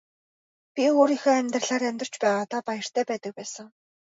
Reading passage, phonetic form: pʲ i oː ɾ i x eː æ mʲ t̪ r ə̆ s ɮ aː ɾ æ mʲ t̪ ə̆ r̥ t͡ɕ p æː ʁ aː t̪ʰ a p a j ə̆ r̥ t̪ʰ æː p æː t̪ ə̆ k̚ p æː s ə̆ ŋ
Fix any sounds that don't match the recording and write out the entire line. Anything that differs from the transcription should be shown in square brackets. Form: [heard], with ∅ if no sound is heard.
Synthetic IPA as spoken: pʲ i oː ɾ i x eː æ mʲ t̪ r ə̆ [∅] ɮ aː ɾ æ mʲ t̪ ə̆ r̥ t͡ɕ p æː ʁ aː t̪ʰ a p a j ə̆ r̥ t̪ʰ æː p æː t̪ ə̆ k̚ p æː s ə̆ ŋ